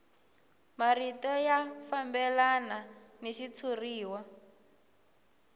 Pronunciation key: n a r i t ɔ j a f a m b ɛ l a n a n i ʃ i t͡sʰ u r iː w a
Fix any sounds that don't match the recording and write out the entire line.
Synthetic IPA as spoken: m a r i t ɔ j a f a m b ɛ l a n a n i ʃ i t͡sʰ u r iː w a